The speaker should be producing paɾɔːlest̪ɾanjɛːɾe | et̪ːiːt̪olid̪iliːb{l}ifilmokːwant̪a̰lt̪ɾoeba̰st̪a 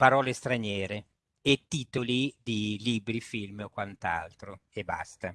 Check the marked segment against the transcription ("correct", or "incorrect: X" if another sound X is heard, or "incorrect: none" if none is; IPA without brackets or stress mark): incorrect: ɾ